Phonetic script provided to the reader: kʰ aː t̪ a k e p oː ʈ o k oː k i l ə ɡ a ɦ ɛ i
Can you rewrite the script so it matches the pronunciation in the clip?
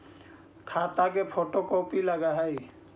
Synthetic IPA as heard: kʰ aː t̪ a k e pʰ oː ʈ o k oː p i l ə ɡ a ɦ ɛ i